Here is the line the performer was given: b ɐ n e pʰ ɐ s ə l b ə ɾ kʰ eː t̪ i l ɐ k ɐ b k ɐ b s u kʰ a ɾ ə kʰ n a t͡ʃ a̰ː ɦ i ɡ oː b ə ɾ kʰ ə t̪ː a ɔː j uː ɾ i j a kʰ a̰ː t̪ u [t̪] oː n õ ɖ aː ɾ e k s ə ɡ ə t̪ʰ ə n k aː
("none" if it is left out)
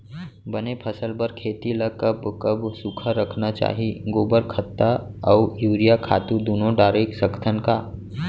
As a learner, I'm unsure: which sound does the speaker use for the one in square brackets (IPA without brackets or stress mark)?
d̪